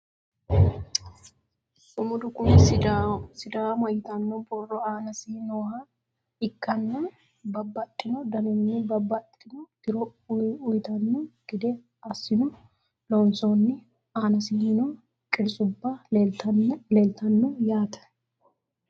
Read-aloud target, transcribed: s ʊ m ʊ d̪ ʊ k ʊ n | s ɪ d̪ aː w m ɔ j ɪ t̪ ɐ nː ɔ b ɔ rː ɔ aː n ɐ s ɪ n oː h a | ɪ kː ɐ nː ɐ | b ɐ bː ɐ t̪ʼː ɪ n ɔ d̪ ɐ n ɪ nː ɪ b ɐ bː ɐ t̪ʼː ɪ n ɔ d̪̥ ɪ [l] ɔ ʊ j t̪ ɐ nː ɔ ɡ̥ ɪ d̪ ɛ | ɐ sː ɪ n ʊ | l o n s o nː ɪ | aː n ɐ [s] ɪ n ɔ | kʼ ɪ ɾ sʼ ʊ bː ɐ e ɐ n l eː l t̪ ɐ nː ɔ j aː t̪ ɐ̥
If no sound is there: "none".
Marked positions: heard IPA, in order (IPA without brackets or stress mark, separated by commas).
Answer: ɾ, s